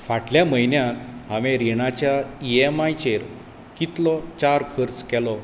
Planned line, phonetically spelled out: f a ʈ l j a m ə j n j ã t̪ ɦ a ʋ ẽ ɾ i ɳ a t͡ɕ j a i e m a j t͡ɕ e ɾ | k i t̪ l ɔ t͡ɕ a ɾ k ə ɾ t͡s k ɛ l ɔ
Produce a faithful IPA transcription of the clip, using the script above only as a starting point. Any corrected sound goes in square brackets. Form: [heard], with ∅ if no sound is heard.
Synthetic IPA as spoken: f a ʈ l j a m ə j n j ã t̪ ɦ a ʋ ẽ ɾ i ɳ a t͡ɕ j a i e m a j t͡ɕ e ɾ | k i t̪ l ɔ t͡ɕ a ɾ [kʰ] ə ɾ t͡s k ɛ l ɔ